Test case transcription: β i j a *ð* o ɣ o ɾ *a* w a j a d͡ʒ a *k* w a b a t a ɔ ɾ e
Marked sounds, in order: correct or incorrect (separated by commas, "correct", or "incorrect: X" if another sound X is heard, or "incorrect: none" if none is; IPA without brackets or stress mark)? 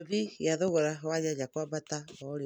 correct, correct, correct